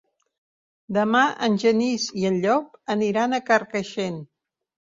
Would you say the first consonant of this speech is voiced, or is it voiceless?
voiced